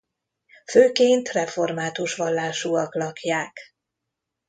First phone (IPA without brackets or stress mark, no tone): f